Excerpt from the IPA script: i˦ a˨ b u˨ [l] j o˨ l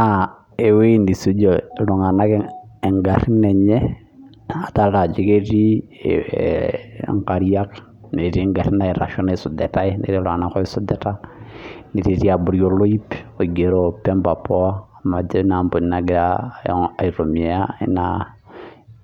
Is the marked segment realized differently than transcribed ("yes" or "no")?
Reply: yes